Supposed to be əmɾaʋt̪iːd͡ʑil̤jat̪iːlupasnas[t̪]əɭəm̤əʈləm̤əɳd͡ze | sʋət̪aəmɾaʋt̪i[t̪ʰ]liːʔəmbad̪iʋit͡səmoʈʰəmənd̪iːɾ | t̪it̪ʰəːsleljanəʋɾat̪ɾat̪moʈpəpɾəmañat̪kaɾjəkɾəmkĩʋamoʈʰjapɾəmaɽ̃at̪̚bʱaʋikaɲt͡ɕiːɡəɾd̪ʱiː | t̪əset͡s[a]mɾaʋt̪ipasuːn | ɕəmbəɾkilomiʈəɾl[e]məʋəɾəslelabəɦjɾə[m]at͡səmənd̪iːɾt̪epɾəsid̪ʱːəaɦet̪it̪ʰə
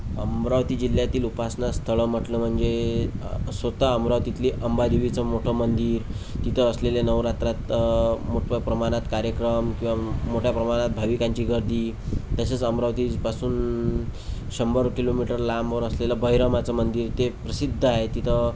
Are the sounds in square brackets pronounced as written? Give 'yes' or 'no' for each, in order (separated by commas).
no, no, no, no, yes